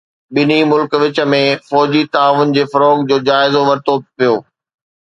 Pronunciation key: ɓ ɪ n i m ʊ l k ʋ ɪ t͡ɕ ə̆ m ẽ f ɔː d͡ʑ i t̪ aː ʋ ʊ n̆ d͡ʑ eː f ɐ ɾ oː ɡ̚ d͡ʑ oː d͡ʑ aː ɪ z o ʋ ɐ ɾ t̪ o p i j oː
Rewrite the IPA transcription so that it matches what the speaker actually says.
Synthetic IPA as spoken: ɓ ɪ n i m ʊ l k ʋ ɪ t͡ɕ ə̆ m ẽ f ɔː d͡ʑ i t̪ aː ʋ ʊ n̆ d͡ʑ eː f ɐ ɾ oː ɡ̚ d͡ʑ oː d͡ʑ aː ɪ z o ʋ ɐ ɾ t̪ o p i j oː